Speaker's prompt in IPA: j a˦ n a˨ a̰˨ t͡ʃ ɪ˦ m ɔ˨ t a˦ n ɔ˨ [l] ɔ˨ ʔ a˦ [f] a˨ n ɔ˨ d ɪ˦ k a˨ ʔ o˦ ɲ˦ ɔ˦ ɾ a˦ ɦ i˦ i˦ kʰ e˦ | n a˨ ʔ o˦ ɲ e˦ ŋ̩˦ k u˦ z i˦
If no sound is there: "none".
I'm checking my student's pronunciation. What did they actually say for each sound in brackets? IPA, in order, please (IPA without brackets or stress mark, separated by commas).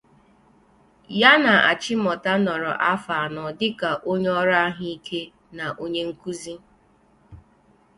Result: ɾ, f